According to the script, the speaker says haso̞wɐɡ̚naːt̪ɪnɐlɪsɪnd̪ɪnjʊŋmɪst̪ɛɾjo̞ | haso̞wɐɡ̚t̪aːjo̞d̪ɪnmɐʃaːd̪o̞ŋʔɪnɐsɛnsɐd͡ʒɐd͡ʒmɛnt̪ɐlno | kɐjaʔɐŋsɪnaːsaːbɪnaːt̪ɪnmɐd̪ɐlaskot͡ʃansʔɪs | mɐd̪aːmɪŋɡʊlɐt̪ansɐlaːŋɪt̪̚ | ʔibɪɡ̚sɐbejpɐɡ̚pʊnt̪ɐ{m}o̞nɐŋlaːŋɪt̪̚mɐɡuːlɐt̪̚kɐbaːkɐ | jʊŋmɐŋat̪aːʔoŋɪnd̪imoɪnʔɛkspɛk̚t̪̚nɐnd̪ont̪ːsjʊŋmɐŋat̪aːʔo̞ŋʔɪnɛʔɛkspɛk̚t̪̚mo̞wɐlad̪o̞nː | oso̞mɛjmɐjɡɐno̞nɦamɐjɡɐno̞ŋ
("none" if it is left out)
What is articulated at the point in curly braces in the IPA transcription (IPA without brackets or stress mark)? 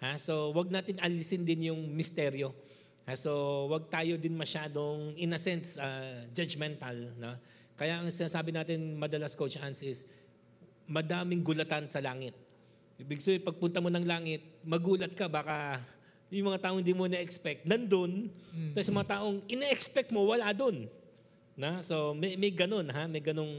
m